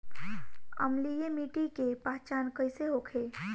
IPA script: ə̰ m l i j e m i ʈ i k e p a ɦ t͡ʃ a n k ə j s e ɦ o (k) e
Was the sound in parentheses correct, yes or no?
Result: no